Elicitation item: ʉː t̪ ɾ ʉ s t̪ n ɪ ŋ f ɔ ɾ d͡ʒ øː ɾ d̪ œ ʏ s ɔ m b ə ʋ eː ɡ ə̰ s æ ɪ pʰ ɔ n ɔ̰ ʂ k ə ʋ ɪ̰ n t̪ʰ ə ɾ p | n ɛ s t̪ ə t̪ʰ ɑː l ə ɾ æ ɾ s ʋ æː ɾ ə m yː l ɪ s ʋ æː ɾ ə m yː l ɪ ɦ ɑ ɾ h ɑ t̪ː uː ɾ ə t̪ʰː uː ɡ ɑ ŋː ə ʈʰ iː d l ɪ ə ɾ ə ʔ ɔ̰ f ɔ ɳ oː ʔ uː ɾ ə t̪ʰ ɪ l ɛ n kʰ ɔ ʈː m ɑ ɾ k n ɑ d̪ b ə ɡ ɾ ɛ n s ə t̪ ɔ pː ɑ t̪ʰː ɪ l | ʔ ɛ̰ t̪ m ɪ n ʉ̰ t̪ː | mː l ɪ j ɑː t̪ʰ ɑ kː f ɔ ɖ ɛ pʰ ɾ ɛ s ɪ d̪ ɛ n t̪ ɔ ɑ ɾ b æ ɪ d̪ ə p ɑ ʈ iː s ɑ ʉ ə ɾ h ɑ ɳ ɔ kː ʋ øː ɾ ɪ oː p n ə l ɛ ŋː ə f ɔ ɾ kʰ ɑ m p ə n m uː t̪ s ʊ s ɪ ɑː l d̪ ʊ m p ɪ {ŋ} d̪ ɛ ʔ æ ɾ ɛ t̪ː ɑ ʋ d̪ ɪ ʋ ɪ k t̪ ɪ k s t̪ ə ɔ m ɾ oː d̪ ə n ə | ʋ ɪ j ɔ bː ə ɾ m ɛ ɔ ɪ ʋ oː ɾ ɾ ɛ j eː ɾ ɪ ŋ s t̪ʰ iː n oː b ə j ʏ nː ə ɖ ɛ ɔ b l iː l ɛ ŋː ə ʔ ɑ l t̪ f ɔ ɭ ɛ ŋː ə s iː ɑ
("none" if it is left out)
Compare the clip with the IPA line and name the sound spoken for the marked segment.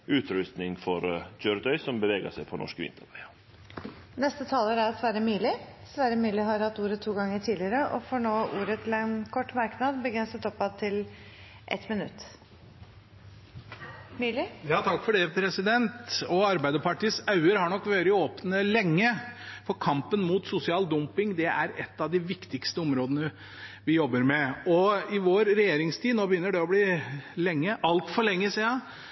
ŋ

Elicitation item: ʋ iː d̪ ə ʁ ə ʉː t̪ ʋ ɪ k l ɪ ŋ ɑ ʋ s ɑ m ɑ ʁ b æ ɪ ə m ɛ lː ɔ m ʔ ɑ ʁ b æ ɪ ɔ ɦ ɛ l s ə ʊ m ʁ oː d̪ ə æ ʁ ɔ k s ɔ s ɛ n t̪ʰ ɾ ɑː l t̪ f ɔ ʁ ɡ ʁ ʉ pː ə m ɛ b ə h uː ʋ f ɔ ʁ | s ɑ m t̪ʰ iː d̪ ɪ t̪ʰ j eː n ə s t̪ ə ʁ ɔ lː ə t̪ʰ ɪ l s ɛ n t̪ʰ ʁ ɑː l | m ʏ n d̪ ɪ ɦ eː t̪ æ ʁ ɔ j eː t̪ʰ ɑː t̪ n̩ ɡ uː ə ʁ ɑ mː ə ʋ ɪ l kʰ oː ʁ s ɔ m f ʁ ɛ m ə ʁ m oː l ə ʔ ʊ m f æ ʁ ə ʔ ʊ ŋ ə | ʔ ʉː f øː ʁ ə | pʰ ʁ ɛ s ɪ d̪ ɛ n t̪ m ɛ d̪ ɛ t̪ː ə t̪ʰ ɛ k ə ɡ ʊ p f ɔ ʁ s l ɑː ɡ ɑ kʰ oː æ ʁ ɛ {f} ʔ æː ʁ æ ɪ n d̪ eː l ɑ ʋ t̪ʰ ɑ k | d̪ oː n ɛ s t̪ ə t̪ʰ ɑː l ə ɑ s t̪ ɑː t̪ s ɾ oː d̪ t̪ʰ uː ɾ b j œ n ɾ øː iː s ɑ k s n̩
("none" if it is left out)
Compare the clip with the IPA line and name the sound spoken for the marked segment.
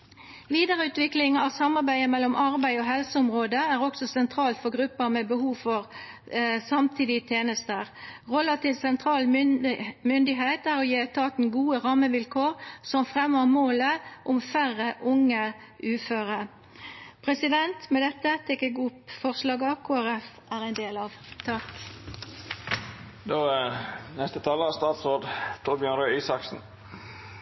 f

